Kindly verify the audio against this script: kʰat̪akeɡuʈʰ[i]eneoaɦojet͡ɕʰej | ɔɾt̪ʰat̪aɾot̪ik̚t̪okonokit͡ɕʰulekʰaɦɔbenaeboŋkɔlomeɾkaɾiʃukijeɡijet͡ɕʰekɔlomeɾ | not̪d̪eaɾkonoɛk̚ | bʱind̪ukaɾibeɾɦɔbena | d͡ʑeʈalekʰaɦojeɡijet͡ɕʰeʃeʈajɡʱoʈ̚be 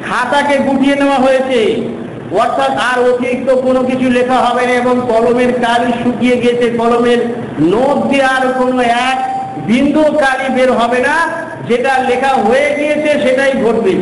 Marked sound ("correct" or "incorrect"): correct